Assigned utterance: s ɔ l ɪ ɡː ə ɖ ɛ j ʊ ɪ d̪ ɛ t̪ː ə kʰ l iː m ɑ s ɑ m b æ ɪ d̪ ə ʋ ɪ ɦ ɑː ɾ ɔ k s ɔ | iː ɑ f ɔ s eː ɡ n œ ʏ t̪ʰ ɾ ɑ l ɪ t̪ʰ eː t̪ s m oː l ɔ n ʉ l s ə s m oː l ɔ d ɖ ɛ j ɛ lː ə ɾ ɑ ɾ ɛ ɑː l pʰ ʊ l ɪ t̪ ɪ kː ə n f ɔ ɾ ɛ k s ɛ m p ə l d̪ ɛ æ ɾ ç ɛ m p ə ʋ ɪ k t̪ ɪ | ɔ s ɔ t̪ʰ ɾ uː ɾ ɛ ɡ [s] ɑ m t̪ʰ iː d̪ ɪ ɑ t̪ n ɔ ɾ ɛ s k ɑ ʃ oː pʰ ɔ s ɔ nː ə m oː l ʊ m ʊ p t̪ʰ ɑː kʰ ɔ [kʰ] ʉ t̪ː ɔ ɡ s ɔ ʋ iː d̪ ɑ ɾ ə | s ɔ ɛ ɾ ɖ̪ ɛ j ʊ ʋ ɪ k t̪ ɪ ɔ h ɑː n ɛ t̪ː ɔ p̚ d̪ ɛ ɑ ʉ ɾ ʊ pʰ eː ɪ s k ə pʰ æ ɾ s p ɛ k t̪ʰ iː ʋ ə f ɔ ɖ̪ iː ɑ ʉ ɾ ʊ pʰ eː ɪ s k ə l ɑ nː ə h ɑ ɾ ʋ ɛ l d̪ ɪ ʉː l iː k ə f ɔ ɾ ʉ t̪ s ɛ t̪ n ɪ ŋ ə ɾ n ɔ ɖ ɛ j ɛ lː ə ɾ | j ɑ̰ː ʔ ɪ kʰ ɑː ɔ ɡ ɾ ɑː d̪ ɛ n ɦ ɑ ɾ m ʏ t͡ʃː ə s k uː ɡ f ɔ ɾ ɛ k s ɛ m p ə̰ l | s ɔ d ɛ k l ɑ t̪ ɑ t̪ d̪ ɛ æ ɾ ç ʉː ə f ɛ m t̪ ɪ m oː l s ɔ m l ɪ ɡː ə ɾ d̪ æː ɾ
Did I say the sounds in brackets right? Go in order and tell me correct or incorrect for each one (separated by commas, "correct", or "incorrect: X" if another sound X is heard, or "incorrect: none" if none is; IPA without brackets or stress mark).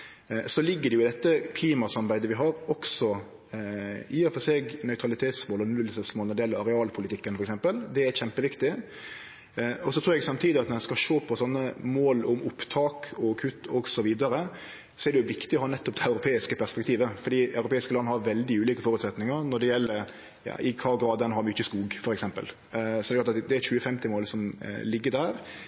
correct, correct